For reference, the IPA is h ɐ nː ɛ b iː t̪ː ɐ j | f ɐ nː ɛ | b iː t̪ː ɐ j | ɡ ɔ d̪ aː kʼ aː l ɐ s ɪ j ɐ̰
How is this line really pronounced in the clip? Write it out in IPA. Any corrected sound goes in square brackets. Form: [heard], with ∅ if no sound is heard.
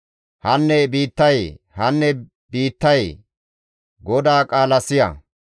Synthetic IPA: h ɐ nː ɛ b iː t̪ː ɐ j | [h] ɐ nː ɛ | b iː t̪ː ɐ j | ɡ ɔ d̪ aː kʼ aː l ɐ s ɪ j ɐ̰